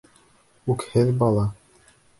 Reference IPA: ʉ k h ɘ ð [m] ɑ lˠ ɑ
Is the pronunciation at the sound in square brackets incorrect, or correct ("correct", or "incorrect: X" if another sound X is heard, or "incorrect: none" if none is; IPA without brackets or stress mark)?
incorrect: b